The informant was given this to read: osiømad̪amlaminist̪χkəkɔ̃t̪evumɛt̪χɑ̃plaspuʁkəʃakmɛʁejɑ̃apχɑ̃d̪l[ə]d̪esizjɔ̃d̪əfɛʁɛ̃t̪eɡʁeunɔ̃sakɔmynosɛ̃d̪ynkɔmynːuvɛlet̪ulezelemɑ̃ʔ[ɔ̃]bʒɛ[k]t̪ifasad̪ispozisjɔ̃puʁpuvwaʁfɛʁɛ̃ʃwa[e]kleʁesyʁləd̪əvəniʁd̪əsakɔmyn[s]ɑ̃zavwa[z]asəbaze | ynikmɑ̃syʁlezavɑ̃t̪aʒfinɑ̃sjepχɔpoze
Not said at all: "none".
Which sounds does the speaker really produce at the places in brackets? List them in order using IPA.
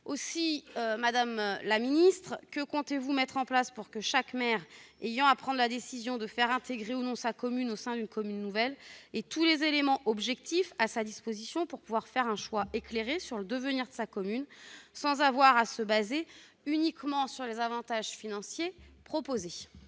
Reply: a, ɔ, k, e, s, ʁ

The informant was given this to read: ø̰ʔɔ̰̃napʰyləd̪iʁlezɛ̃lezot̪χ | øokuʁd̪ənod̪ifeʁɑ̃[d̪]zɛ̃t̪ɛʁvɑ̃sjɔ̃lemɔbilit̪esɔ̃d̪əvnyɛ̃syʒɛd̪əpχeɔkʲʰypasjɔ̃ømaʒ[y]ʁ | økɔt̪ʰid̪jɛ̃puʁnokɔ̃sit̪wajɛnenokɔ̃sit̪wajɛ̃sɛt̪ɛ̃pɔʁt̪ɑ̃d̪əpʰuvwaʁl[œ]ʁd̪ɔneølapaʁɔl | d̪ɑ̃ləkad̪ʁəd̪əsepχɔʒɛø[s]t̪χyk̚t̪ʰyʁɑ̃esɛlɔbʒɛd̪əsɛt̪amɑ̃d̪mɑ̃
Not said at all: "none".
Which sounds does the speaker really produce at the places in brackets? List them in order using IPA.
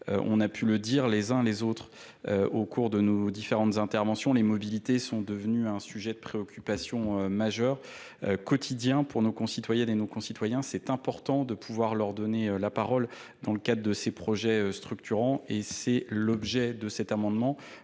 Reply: t̪, œ, œ, s

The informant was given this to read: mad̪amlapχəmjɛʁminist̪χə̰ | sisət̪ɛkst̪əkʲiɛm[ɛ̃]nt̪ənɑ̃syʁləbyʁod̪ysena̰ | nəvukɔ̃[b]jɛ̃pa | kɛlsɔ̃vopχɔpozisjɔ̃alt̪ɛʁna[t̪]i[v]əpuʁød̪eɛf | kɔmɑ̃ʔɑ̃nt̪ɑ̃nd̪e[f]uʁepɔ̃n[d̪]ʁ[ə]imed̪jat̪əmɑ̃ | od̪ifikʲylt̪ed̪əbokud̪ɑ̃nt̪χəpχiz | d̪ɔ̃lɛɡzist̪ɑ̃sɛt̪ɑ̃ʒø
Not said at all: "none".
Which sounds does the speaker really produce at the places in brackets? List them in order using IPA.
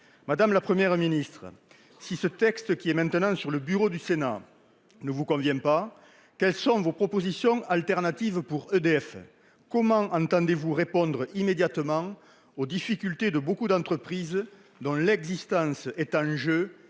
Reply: ɛ̃, v, t̪, v, v, d̪, ə

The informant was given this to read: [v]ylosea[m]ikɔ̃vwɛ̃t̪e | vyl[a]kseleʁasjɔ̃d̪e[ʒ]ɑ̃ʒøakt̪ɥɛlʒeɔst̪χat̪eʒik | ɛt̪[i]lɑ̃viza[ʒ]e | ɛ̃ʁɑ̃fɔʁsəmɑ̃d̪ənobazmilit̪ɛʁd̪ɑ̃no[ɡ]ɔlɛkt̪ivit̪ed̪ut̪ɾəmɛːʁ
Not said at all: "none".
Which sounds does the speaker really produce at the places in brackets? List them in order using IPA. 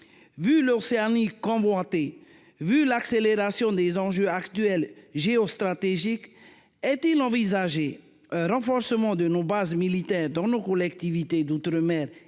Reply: v, n, a, z, i, ʒ, k

